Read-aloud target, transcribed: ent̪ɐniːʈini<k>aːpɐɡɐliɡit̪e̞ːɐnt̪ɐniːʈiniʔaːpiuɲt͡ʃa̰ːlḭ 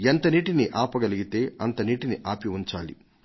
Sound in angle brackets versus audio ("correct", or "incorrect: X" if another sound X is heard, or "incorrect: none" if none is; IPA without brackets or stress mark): incorrect: ʔ